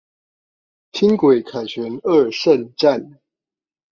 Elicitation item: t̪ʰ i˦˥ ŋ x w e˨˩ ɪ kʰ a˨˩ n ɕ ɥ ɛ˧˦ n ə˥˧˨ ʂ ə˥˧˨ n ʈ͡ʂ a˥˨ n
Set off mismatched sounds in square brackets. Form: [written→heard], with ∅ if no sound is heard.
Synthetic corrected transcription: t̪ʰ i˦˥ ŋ [x→k] w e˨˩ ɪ kʰ a˨˩ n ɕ ɥ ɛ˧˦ n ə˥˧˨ ʂ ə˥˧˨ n ʈ͡ʂ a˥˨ n